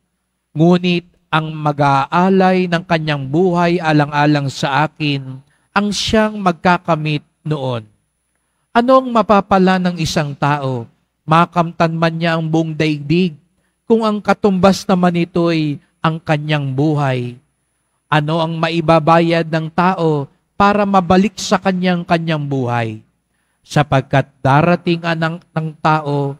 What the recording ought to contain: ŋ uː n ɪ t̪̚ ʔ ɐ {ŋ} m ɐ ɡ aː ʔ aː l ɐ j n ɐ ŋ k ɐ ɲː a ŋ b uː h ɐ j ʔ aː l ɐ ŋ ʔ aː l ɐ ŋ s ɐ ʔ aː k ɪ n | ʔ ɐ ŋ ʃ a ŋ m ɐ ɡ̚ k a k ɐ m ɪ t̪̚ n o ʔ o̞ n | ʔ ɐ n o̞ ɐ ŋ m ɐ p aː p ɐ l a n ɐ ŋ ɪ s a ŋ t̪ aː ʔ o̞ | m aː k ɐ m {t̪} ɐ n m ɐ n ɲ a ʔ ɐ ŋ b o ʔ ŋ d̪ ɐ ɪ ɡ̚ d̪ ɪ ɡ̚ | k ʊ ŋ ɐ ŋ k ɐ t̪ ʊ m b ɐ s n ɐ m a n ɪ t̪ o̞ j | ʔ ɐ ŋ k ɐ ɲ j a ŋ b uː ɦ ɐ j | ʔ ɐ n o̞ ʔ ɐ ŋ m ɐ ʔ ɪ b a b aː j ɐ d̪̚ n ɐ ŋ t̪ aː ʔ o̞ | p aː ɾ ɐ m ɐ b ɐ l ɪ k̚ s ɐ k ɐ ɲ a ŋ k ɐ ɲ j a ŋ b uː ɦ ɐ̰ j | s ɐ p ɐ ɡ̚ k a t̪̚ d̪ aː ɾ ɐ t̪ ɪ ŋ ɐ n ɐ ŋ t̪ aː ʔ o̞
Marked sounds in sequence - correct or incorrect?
correct, correct

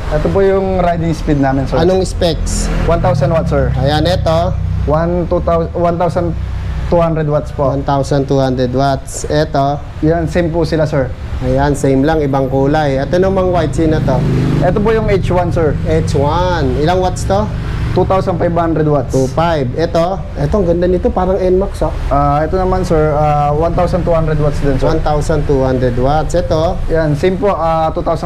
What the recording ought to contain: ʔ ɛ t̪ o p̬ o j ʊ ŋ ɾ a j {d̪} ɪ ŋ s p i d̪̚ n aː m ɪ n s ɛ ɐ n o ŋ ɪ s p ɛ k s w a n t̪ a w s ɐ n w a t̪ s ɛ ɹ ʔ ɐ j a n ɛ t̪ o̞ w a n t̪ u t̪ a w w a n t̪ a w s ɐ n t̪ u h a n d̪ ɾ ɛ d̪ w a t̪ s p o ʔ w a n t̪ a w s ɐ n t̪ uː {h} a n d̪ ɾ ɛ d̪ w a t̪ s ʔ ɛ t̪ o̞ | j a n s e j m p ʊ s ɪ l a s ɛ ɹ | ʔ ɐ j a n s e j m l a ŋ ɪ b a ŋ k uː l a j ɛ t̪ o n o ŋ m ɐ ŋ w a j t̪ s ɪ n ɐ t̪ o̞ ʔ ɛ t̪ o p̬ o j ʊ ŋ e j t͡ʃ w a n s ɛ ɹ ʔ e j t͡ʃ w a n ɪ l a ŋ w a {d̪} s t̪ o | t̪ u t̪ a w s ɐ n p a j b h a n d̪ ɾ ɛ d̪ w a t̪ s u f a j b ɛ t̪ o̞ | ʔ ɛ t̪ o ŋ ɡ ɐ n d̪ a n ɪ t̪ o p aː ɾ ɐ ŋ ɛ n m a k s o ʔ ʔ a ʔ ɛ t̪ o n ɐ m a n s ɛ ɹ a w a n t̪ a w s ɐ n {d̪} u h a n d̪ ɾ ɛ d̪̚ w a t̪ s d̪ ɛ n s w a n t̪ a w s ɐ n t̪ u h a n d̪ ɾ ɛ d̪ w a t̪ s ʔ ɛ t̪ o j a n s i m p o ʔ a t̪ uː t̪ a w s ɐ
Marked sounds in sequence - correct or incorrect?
correct, correct, incorrect, incorrect

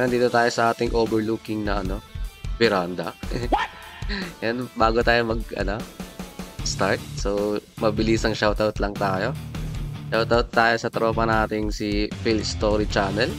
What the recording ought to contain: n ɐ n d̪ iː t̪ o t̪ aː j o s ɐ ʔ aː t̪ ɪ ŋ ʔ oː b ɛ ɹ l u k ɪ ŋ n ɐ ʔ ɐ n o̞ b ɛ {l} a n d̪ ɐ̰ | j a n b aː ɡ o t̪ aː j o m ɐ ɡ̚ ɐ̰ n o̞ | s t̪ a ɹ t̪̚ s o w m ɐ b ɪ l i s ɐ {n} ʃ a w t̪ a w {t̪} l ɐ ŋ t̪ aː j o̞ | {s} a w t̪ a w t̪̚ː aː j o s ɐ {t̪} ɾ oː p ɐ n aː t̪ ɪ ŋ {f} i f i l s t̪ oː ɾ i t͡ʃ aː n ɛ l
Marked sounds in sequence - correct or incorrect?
incorrect, incorrect, correct, incorrect, correct, incorrect

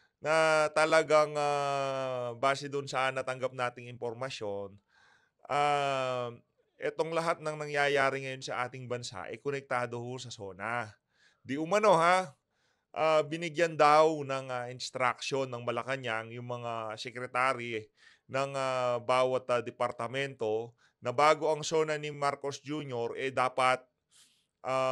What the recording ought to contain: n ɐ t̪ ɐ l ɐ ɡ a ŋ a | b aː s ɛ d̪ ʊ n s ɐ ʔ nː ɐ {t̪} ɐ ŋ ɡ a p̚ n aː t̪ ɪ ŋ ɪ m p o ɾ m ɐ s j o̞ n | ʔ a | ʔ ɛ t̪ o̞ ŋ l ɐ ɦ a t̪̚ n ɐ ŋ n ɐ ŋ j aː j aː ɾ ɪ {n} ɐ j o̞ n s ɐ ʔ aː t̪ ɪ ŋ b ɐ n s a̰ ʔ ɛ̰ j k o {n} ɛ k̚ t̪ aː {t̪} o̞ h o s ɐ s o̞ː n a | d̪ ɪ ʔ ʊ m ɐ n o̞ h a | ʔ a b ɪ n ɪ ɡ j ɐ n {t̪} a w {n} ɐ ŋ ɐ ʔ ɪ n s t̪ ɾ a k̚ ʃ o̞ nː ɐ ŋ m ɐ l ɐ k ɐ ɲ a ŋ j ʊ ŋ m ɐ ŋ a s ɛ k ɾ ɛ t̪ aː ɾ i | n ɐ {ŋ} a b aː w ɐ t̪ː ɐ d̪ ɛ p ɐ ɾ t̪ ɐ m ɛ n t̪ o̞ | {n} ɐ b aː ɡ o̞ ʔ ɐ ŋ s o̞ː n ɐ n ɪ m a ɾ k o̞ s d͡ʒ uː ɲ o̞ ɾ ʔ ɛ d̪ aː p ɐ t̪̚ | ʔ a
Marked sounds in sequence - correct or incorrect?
correct, incorrect, correct, incorrect, incorrect, correct, correct, correct

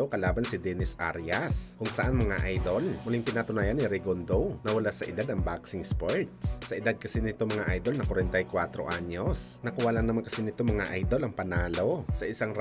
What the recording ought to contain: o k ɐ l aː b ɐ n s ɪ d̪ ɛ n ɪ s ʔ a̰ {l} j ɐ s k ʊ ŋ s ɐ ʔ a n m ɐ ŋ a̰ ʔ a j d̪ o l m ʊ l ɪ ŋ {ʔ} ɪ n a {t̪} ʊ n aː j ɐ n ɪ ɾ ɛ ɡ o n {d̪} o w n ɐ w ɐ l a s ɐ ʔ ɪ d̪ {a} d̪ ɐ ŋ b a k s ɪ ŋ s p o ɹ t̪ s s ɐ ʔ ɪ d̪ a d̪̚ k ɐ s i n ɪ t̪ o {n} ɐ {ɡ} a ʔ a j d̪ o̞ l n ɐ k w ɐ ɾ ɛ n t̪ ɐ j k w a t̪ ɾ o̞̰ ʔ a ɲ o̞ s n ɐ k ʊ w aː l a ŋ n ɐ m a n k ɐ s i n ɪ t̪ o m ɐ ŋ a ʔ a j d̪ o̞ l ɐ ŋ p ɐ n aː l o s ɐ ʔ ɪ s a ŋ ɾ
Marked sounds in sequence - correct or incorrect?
incorrect, incorrect, correct, correct, correct, incorrect, incorrect

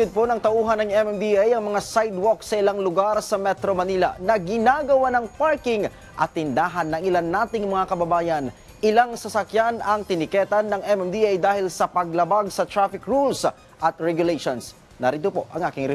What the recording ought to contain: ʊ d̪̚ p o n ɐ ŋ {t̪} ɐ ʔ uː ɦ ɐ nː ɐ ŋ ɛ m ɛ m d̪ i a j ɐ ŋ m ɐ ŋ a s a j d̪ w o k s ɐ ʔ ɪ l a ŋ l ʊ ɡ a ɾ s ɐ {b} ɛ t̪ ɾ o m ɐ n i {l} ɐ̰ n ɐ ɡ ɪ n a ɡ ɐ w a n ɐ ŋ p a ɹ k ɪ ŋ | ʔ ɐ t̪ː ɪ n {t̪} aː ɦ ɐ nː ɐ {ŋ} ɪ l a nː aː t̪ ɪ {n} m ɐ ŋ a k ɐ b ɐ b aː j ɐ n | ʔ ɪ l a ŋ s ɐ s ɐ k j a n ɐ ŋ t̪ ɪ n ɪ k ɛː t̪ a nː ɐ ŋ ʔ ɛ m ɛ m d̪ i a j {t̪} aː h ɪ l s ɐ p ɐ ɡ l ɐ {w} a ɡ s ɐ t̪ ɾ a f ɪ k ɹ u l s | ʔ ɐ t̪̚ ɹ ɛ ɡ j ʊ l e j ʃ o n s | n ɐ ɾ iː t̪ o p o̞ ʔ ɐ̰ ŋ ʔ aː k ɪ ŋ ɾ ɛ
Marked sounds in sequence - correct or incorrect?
correct, incorrect, correct, incorrect, correct, incorrect, incorrect, incorrect

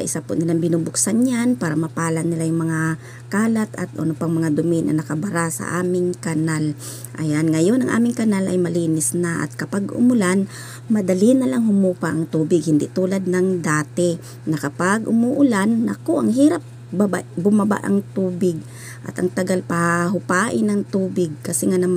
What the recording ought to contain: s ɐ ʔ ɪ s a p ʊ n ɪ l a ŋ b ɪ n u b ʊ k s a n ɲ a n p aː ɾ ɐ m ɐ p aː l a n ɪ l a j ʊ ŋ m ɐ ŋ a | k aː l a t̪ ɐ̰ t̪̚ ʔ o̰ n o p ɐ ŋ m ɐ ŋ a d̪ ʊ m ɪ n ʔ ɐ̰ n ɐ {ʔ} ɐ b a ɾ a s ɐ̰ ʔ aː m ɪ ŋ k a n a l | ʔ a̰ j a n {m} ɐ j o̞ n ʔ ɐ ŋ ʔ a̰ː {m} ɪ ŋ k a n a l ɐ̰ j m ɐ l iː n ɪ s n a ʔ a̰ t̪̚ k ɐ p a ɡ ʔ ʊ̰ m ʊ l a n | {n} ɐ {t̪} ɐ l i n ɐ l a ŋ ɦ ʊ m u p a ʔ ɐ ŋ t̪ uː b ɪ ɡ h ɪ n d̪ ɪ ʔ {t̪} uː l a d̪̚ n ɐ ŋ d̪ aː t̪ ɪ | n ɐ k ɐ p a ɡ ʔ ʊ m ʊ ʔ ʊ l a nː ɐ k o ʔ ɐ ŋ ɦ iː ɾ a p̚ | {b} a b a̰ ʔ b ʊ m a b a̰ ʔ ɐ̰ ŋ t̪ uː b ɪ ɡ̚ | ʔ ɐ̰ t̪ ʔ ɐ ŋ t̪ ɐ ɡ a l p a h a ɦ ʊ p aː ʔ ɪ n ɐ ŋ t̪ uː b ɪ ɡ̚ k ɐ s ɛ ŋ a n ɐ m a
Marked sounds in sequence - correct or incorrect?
incorrect, incorrect, correct, incorrect, incorrect, correct, correct

